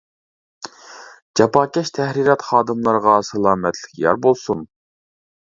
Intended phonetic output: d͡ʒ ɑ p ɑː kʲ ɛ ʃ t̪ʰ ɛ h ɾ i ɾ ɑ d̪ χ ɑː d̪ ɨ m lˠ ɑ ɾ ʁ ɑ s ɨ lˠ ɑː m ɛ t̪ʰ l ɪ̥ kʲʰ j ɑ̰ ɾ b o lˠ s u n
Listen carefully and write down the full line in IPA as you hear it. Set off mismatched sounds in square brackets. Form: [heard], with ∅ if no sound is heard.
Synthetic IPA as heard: d͡ʒ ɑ p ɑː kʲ ɛ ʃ t̪ʰ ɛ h ɾ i ɾ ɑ [t̪] χ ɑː d̪ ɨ m lˠ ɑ ɾ ʁ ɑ s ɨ lˠ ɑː m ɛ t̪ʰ l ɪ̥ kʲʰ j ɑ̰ ɾ b o lˠ s u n